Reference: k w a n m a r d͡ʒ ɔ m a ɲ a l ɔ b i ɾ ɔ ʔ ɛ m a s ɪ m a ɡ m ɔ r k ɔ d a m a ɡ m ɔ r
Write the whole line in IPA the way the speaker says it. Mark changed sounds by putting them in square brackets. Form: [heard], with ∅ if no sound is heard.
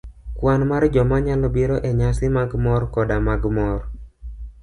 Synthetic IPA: k w a n m a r d͡ʒ ɔ m a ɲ a l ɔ b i ɾ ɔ ʔ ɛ [ɲ] a s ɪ m a ɡ m ɔ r k ɔ d a m a ɡ m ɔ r